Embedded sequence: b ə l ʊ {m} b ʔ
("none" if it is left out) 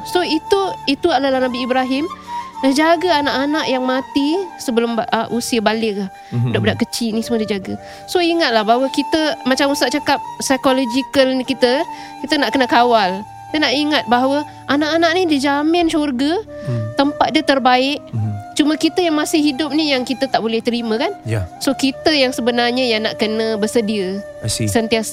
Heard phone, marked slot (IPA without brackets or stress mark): m